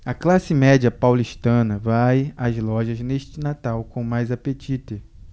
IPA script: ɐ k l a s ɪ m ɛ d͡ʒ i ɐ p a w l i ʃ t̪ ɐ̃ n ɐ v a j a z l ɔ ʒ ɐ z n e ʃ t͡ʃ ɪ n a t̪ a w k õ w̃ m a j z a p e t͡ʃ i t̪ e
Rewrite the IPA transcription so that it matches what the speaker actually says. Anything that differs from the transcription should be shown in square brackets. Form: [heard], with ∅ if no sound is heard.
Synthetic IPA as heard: ɐ k l a s ɪ m ɛ d͡ʒ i ɐ p a w l i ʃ t̪ ɐ̃ n ɐ v a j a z l ɔ ʒ ɐ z n e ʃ t͡ʃ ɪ n a t̪ a w k õ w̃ m a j z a p e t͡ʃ i t̪ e